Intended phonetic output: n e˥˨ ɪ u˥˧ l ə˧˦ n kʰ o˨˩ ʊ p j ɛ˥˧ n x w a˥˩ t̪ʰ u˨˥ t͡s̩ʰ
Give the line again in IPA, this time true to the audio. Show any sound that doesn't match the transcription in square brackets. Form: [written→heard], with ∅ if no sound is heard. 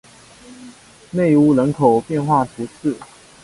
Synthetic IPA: n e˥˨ ɪ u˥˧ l ə˧˦ n kʰ o˨˩ ʊ p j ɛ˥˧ n x w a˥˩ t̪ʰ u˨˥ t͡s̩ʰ